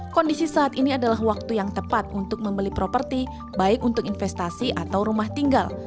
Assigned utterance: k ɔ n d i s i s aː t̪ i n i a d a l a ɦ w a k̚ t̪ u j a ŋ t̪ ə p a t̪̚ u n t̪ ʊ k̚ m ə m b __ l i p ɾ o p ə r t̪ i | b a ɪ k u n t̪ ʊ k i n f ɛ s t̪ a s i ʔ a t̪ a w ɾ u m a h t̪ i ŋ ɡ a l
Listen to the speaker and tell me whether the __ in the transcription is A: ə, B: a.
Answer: A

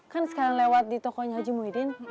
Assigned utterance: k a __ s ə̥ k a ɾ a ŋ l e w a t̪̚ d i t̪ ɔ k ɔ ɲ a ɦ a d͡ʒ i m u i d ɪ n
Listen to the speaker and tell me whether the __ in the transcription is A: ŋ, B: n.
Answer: B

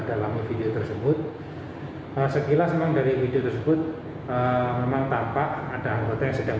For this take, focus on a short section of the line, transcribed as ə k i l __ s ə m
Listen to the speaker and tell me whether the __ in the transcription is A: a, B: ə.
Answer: A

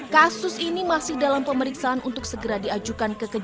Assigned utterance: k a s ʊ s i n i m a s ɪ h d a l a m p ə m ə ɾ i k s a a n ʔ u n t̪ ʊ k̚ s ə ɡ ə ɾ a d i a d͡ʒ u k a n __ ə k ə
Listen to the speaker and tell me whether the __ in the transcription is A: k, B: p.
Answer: A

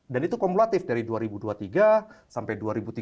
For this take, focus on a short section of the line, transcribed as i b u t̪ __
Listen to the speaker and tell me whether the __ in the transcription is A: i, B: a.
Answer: A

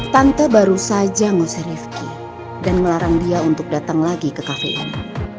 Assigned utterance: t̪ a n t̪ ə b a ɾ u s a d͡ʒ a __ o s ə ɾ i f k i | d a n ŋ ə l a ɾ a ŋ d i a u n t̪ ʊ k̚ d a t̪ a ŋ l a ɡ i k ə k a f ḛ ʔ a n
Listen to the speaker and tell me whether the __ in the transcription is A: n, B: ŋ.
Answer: B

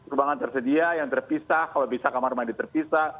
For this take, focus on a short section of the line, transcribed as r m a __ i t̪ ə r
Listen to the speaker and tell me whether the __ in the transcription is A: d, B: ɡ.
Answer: A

